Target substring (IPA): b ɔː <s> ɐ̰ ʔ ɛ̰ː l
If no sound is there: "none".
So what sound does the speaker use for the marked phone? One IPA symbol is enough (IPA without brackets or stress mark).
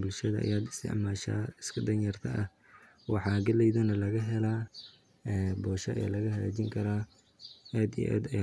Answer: ʃ